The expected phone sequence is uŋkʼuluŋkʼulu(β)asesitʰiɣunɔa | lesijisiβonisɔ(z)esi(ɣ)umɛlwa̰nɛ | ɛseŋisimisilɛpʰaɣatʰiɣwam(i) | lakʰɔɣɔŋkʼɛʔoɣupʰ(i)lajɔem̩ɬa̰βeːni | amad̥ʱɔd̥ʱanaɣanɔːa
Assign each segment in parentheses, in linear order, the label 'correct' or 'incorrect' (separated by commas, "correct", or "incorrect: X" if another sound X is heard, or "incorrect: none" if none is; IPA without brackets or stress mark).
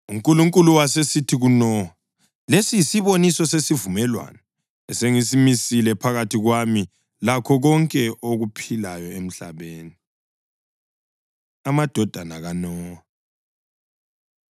incorrect: w, incorrect: s, incorrect: v, correct, correct